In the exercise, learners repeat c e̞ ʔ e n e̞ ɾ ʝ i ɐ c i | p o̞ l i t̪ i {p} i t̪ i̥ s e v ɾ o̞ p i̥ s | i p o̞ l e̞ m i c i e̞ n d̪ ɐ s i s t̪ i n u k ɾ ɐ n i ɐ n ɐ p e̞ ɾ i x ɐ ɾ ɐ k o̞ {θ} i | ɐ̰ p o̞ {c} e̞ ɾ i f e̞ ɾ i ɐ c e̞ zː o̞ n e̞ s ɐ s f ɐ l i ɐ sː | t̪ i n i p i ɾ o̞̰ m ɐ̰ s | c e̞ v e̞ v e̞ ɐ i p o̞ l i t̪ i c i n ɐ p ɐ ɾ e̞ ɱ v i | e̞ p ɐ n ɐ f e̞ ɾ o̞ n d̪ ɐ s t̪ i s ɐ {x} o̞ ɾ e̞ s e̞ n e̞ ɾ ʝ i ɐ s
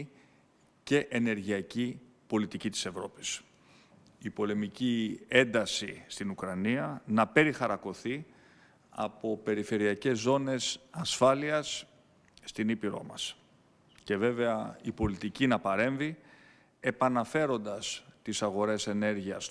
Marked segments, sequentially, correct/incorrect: incorrect, correct, incorrect, incorrect

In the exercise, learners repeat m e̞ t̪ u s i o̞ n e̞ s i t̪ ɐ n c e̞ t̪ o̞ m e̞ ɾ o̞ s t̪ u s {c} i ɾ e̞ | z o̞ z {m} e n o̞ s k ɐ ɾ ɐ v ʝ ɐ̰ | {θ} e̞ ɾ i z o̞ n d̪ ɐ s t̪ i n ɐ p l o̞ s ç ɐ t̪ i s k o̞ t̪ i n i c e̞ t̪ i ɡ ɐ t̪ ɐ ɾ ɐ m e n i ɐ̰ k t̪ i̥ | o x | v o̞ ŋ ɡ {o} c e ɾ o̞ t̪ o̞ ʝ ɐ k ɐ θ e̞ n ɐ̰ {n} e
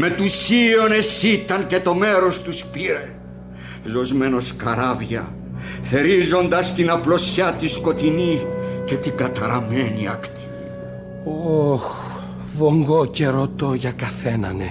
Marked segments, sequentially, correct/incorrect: incorrect, correct, correct, correct, correct

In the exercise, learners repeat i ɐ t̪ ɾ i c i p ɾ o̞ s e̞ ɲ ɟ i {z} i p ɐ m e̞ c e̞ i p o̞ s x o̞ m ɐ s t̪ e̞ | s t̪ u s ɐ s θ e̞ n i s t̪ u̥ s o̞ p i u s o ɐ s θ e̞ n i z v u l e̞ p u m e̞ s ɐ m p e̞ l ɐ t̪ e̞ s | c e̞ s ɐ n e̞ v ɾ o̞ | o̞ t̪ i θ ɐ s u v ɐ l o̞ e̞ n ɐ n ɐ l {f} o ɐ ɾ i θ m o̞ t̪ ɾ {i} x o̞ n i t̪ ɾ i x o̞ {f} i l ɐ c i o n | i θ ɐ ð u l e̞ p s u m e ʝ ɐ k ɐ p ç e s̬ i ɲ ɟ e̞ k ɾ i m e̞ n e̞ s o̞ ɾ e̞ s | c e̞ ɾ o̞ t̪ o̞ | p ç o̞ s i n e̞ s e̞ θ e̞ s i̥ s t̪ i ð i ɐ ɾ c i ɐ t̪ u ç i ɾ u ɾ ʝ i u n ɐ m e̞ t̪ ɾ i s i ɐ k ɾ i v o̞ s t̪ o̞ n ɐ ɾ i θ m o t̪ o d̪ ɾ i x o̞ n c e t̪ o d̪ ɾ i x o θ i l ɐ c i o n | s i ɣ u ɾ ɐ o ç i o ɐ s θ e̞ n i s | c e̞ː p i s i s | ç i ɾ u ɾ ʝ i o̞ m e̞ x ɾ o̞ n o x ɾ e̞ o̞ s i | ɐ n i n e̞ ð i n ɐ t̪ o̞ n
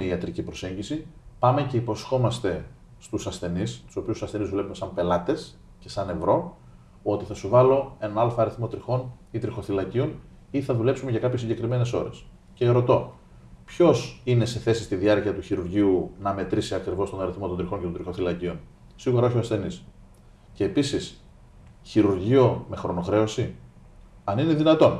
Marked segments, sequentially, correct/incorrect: incorrect, correct, correct, incorrect

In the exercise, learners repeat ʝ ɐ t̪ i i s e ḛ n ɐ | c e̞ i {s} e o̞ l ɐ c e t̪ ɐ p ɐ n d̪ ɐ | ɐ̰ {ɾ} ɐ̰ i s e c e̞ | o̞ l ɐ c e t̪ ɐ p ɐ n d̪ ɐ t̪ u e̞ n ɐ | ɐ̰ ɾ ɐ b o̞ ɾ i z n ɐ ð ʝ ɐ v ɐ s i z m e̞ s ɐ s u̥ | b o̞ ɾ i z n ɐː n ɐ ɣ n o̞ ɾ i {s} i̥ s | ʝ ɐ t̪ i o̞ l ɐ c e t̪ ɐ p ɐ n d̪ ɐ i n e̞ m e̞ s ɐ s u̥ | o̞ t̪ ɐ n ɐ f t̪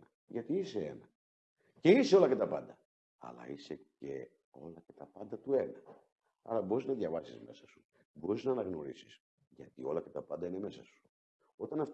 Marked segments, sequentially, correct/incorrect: correct, incorrect, correct

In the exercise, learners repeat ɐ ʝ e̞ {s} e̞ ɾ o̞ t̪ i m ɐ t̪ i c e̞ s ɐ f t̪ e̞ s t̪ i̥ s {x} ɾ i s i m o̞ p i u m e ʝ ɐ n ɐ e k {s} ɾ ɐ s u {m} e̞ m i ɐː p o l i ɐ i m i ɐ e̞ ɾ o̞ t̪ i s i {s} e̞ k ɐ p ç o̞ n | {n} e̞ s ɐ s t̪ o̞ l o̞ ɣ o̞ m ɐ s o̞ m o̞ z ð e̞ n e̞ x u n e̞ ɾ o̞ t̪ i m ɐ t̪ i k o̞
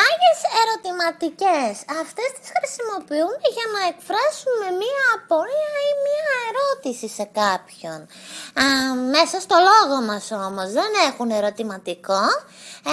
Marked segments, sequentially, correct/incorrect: correct, correct, incorrect, correct, correct, incorrect

